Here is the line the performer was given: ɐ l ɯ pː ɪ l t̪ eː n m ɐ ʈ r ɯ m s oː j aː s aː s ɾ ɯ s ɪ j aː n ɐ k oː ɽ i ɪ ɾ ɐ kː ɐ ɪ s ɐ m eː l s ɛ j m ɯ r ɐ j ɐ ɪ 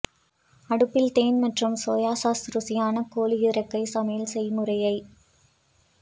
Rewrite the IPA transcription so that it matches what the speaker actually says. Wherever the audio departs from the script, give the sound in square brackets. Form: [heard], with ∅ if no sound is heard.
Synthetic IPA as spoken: ɐ [ɽ] ɯ pː ɪ l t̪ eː n m ɐ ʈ r ɯ m s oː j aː s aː s ɾ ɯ s ɪ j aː n ɐ k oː [l] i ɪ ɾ ɐ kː ɐ ɪ s ɐ m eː l s ɛ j m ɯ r ɐ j ɐ ɪ